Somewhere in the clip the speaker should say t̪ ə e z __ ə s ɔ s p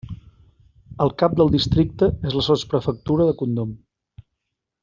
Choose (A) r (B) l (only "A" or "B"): B